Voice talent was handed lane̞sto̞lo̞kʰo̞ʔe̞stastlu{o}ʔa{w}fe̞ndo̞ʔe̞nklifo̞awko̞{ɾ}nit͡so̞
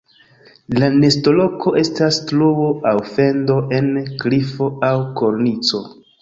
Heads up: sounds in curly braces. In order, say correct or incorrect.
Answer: correct, correct, correct

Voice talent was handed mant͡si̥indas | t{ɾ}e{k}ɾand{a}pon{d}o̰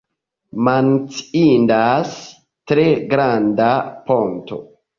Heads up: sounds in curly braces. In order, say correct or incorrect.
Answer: correct, incorrect, correct, incorrect

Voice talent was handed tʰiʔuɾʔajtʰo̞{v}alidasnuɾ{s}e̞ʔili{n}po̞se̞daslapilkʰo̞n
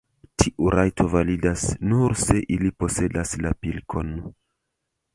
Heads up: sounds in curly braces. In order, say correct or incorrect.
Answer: correct, correct, incorrect

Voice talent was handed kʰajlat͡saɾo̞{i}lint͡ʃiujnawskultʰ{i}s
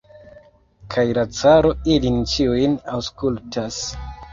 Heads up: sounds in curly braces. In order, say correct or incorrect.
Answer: correct, incorrect

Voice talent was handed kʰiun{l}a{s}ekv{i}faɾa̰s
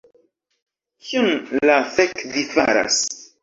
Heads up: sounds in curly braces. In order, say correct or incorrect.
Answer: correct, incorrect, correct

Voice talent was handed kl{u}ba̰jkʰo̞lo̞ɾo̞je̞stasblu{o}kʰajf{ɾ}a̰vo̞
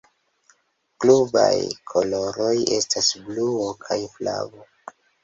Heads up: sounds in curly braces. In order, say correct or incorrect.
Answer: correct, correct, incorrect

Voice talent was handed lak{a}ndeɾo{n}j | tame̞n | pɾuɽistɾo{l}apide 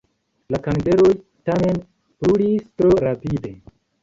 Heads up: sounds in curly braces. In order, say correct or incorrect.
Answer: correct, incorrect, incorrect

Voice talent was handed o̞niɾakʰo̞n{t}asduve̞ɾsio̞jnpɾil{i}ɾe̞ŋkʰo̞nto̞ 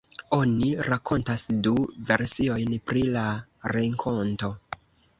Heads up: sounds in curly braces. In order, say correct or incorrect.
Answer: correct, incorrect

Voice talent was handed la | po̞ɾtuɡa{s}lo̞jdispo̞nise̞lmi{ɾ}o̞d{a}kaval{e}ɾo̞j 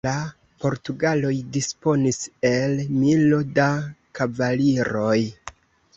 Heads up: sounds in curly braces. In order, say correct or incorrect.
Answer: incorrect, incorrect, correct, incorrect

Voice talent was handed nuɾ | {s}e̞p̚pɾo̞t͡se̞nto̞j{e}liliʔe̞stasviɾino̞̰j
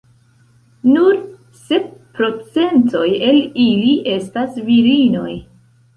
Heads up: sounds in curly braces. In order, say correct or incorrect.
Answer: correct, correct

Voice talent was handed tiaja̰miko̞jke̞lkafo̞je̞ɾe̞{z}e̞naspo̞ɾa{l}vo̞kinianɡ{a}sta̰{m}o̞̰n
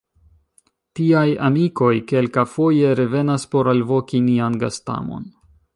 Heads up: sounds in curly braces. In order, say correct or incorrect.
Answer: incorrect, correct, correct, correct

